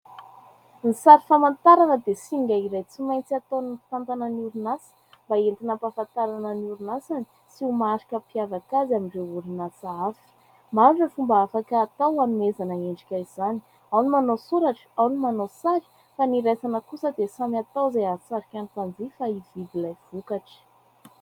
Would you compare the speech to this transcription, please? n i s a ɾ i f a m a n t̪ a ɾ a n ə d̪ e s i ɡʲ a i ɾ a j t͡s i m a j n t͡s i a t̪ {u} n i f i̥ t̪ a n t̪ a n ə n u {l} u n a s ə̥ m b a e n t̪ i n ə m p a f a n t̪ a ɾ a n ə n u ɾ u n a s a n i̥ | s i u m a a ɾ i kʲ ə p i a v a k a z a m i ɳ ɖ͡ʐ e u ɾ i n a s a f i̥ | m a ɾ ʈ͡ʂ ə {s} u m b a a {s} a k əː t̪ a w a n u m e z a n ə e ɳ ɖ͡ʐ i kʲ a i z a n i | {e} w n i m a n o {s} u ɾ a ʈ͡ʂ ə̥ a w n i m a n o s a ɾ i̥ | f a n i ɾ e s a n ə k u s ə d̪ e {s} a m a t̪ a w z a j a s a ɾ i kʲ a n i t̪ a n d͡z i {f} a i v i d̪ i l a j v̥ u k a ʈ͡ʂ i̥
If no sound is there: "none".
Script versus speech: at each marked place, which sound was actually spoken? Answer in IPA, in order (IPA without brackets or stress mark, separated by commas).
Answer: o, ɾ, f, f, a, s, s, f